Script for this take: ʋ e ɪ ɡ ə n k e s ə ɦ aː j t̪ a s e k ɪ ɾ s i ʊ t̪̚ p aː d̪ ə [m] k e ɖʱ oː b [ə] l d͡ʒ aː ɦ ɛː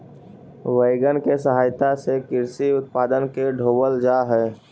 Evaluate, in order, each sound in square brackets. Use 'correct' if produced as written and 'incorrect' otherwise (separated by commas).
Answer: incorrect, correct